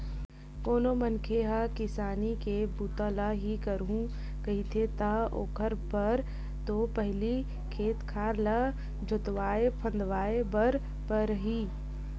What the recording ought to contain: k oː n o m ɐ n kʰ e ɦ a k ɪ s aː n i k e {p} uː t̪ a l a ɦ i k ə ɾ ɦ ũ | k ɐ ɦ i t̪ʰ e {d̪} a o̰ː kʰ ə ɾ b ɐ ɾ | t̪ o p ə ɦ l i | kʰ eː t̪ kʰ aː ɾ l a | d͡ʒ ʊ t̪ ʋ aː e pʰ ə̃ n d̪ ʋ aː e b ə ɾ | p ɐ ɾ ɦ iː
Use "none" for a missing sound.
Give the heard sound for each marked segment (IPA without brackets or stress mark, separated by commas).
b, t̪